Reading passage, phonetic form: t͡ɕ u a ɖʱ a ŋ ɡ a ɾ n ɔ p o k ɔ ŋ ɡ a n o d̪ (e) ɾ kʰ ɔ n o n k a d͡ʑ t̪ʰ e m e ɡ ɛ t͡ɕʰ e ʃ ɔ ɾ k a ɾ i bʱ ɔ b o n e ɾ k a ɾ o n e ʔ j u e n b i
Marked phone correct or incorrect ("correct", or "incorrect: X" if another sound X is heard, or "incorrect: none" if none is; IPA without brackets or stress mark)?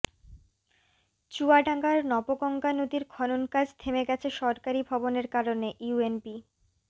incorrect: i